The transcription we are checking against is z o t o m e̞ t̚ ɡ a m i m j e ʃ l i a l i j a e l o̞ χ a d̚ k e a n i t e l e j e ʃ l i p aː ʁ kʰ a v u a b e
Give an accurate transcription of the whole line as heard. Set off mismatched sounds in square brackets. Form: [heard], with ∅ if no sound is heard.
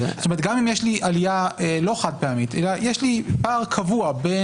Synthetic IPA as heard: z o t o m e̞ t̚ ɡ a m i m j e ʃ l i a l i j a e l o̞ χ a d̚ [p] e a [m] i t e l [a] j e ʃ l i p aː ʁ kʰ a v u a b e